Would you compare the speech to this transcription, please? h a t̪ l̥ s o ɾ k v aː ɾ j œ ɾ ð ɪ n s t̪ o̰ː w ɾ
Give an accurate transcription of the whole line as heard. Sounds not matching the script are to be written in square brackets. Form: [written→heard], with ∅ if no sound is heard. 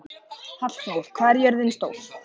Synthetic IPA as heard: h a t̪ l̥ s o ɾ [k→kʰ] v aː ɾ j [œ→ɛ] ɾ ð ɪ n s t̪ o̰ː w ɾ